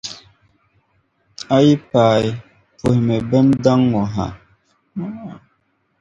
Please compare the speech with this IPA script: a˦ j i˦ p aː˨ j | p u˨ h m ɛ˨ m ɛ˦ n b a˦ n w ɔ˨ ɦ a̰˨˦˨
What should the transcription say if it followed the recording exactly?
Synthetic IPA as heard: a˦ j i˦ p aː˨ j | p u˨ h m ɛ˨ b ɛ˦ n d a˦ ŋ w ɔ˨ ɦ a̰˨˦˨